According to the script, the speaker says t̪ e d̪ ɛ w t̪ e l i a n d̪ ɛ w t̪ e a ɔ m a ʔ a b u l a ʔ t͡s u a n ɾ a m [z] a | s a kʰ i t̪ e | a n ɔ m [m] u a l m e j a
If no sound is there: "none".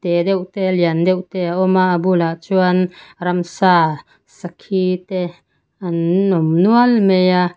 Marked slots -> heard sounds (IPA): s, n

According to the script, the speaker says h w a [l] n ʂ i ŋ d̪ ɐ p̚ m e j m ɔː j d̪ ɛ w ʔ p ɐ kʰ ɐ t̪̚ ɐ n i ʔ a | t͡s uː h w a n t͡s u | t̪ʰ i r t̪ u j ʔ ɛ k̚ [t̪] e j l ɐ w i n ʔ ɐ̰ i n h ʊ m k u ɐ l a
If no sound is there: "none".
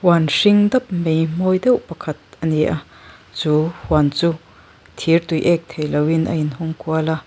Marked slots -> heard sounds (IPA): none, t̪ʰ

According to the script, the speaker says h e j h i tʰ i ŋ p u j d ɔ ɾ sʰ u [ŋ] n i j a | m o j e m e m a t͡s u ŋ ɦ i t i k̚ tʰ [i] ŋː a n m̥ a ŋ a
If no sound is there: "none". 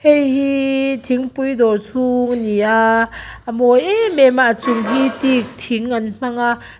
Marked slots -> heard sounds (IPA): ŋ, i

